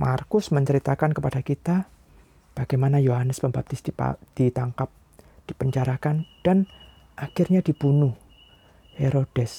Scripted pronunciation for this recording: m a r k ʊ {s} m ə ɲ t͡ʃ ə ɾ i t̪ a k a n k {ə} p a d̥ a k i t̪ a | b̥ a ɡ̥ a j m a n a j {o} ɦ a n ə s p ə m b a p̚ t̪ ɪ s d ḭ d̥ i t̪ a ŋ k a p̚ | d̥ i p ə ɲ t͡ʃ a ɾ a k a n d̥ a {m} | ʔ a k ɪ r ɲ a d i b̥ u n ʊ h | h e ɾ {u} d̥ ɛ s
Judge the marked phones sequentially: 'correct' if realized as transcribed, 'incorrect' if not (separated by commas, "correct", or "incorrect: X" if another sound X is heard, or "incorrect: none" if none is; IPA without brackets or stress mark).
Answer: correct, correct, correct, incorrect: n, incorrect: o